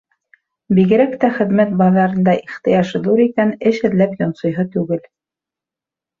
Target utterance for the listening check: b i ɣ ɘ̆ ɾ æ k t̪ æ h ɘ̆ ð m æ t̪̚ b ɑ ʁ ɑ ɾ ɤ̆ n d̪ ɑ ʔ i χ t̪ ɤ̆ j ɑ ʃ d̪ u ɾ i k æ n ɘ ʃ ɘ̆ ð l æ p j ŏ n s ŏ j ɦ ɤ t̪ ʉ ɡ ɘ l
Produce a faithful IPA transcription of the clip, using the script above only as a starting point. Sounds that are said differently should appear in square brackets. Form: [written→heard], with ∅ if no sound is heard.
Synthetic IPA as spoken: b i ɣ ɘ̆ ɾ æ k t̪ æ [h→χ] ɘ̆ ð m æ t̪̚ b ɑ [ʁ→ð] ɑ ɾ ɤ̆ n d̪ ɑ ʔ i χ t̪ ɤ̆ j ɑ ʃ d̪ u ɾ i k æ n ɘ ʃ ɘ̆ ð l æ p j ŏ n s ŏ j ɦ ɤ t̪ ʉ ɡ ɘ l